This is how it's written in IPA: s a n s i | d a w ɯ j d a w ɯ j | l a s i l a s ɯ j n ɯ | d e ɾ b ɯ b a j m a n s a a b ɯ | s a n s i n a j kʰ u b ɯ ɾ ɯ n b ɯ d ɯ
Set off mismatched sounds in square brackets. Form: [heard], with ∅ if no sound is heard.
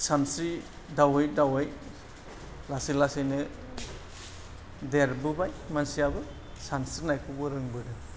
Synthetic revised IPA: s a n s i | d a w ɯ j d a w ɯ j | l a s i l a s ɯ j n ɯ | d e ɾ b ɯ b a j m a n s [i] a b ɯ | s a n s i n a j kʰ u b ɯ ɾ ɯ [ŋ] b ɯ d ɯ